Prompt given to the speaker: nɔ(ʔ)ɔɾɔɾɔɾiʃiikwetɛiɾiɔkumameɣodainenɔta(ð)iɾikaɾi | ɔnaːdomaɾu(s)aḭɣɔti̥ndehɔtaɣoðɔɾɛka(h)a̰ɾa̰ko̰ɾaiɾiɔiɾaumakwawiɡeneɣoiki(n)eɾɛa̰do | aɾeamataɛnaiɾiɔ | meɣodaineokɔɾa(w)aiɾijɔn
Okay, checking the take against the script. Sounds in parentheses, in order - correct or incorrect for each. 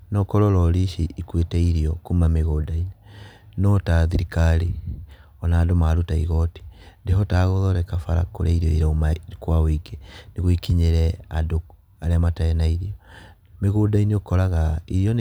incorrect, correct, incorrect, incorrect, incorrect, incorrect

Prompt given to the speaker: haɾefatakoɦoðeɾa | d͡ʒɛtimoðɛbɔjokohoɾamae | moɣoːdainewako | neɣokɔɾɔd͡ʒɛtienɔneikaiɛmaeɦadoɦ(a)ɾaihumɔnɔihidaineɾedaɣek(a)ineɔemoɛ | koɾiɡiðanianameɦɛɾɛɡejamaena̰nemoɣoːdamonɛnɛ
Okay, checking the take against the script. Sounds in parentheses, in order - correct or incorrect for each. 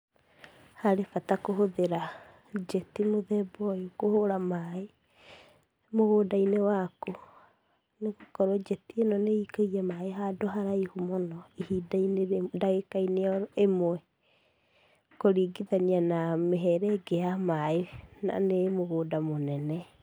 correct, correct

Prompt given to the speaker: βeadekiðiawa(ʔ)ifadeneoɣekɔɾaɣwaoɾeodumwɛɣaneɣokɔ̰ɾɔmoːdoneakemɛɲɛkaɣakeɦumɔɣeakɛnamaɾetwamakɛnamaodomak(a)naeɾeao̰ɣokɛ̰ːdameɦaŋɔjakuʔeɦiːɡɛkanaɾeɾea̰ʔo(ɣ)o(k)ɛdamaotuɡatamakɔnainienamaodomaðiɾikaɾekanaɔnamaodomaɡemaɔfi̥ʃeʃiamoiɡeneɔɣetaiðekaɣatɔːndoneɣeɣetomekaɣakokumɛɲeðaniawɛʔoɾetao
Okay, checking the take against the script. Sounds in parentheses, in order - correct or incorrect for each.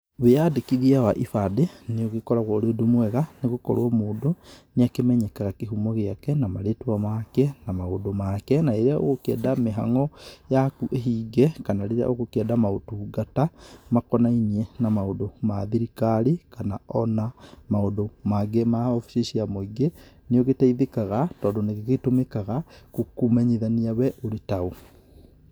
correct, incorrect, correct, correct

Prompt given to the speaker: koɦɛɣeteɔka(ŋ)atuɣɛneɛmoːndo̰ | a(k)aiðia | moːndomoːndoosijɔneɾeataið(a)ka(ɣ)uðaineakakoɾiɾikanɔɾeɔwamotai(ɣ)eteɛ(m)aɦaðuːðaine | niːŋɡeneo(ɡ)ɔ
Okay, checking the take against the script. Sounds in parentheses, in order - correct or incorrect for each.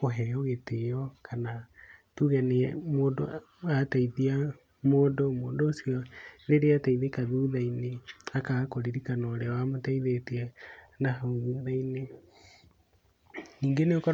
incorrect, incorrect, incorrect, incorrect, incorrect, incorrect, incorrect

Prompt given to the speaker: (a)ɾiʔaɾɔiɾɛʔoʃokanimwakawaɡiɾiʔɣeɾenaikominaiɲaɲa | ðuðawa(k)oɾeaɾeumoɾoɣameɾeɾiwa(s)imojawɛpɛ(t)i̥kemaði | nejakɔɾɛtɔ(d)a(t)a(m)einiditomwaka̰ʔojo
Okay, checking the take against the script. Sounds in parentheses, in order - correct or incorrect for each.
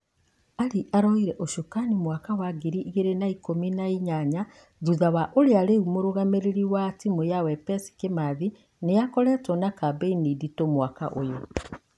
correct, incorrect, incorrect, incorrect, incorrect, incorrect, incorrect

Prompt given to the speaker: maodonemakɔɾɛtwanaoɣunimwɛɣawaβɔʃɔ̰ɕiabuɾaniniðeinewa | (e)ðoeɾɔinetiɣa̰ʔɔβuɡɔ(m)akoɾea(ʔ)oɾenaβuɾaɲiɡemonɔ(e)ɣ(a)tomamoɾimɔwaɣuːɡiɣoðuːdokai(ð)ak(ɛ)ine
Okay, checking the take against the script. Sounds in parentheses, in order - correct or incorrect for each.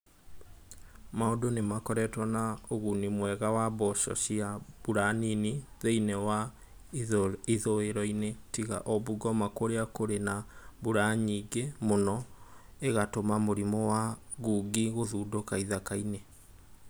incorrect, correct, incorrect, correct, correct, correct, incorrect

